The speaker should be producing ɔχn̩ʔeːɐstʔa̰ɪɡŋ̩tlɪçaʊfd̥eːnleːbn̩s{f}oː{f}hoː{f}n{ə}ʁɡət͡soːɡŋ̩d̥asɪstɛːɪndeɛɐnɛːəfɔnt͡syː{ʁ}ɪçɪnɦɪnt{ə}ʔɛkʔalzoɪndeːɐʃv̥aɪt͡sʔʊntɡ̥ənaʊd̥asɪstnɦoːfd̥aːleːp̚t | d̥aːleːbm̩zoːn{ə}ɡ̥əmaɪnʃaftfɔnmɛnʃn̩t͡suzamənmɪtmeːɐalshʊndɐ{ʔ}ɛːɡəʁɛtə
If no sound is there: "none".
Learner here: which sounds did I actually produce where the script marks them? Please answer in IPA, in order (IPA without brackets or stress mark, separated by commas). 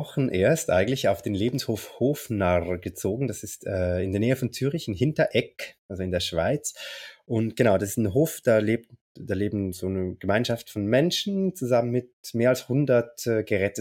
h, f, f, a, ʁ, ɐ, ə, t